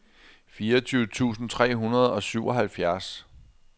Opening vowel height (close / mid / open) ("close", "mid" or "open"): close